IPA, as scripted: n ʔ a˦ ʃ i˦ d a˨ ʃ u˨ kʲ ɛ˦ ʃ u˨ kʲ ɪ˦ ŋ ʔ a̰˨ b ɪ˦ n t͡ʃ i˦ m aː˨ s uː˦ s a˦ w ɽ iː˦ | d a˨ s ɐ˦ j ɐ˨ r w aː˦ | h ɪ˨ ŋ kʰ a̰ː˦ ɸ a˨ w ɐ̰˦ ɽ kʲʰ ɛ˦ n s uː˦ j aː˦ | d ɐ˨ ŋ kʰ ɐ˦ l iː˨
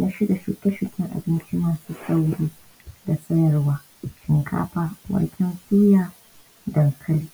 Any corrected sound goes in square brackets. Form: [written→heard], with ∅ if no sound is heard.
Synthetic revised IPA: n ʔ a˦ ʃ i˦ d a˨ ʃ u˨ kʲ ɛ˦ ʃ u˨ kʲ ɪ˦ ŋ ʔ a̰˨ b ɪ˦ n t͡ʃ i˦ m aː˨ s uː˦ s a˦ w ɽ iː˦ | d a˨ s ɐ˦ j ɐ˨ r w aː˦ | [h→ʃ] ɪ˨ ŋ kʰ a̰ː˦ ɸ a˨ w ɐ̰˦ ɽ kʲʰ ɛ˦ n s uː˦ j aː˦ | d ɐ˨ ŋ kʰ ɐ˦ l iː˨